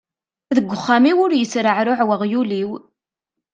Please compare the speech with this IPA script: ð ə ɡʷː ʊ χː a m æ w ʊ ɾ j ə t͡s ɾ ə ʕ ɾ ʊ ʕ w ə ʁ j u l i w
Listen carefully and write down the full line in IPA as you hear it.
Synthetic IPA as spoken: ð ə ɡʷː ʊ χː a m i w ʊ ɾ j ə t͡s ɾ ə ʕ ɾ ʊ ʕ w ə ʁ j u l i w